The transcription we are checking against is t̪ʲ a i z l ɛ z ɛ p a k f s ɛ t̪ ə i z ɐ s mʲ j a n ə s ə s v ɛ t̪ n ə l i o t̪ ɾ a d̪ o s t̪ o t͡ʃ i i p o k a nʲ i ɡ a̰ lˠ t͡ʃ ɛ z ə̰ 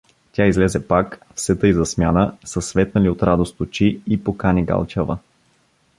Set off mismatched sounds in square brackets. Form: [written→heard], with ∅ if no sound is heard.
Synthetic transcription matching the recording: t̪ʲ a i z l ɛ z ɛ p a k f s ɛ t̪ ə i z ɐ s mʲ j a n ə s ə s v ɛ t̪ n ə l i o t̪ ɾ a d̪ o s t̪ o t͡ʃ i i p o k a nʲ i ɡ a̰ lˠ t͡ʃ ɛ [z→v] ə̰